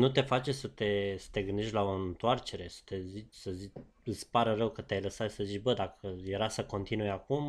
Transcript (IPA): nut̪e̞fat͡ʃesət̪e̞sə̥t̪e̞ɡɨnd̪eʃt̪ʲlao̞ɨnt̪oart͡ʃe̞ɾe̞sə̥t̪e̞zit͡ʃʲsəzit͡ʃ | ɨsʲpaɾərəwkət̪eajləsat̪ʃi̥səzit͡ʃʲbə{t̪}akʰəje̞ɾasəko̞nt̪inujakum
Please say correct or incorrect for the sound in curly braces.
incorrect